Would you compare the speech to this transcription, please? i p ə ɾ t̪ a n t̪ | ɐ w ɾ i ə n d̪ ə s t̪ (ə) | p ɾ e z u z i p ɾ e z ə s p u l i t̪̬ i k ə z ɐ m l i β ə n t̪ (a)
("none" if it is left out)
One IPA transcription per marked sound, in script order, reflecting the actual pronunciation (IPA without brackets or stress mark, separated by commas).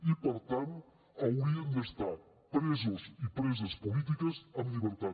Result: a, a